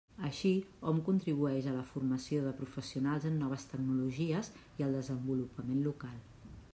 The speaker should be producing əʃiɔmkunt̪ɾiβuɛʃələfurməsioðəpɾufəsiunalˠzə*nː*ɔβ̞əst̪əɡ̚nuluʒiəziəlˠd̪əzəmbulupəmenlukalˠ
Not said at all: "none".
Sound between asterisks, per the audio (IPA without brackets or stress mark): nː